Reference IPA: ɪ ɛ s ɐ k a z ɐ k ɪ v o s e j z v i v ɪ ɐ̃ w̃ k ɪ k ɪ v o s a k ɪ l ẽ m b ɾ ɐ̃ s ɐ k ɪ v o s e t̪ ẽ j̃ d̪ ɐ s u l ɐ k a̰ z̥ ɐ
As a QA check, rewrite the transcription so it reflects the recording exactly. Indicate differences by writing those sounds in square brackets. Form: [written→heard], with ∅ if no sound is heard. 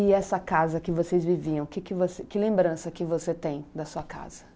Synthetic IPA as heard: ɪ ɛ s ɐ k a z ɐ k ɪ v o s e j z v i v [ɪ→i] ɐ̃ w̃ k ɪ k ɪ v o s [a→e] k ɪ l ẽ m b ɾ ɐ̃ s ɐ k ɪ v o s e t̪ ẽ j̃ d̪ ɐ s u [l→∅] ɐ k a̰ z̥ ɐ